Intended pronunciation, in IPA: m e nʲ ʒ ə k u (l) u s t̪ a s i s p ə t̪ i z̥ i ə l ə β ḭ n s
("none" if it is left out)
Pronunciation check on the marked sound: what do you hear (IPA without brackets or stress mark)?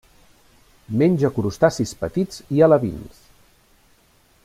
ɾ